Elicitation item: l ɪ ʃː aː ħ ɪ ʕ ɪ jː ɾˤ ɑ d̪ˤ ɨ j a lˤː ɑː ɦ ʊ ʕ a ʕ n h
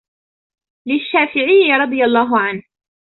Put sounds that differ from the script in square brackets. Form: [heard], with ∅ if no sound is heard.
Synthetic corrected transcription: l ɪ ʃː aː [f] ɪ ʕ ɪ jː ɾˤ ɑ d̪ˤ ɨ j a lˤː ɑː ɦ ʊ ʕ a [∅] n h